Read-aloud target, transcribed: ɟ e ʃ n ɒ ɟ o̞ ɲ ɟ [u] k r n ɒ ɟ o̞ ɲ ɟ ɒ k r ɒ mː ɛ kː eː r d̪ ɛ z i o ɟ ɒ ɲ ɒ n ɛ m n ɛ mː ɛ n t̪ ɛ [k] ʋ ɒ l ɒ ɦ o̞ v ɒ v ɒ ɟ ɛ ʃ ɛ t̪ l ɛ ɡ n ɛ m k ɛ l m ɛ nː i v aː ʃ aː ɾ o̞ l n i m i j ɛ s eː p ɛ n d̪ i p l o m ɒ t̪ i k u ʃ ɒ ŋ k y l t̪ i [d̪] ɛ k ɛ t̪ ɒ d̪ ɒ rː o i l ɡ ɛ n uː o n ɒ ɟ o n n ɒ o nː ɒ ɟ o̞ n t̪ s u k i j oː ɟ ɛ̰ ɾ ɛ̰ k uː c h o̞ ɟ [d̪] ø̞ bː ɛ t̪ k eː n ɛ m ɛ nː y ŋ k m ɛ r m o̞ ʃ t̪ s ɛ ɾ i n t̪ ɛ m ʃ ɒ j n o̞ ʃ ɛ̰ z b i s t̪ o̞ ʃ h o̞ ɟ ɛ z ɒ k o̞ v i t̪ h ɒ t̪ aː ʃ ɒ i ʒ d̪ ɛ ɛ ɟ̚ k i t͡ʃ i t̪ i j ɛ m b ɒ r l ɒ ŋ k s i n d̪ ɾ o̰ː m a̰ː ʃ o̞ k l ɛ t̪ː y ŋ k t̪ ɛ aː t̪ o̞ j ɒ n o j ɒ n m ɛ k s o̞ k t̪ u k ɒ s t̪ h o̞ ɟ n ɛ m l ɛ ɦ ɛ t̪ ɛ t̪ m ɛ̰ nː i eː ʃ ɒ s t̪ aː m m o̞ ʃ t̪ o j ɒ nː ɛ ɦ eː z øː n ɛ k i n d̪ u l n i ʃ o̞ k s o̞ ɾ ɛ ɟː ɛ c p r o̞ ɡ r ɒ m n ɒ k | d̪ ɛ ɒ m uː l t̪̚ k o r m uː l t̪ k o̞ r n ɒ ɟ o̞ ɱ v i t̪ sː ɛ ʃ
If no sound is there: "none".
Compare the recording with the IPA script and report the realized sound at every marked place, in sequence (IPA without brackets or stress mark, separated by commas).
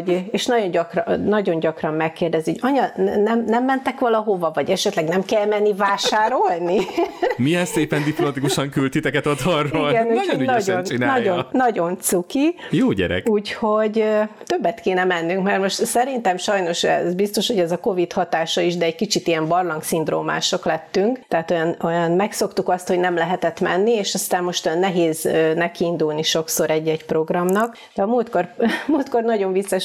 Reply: ɒ, k, t̪, t̪